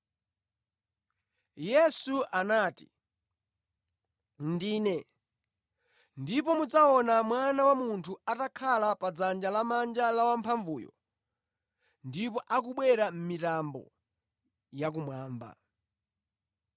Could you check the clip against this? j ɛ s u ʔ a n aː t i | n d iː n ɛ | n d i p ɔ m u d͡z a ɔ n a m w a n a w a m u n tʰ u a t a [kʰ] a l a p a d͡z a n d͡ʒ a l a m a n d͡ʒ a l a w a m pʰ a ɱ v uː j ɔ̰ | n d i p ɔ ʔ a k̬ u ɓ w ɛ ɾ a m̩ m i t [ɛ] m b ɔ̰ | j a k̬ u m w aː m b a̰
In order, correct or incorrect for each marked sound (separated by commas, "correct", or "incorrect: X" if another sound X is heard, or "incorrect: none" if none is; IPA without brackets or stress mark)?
correct, incorrect: a